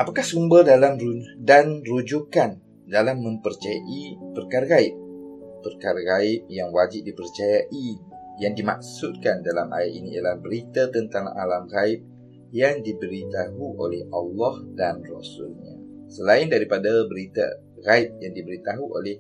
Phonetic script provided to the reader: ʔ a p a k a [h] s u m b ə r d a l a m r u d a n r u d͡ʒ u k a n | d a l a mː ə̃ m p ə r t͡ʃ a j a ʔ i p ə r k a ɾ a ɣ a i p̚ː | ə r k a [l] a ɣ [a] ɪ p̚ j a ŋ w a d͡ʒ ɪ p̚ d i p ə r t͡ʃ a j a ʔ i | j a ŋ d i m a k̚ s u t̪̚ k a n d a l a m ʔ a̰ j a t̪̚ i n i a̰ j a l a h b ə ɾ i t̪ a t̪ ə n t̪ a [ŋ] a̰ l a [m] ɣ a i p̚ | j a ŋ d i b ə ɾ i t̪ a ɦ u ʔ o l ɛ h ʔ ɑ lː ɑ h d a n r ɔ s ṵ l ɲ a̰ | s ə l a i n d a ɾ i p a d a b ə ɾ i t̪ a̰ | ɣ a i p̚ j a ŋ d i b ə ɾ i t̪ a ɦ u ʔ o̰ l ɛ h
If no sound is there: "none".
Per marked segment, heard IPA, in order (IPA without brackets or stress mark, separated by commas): h, ɾ, a, ŋ, m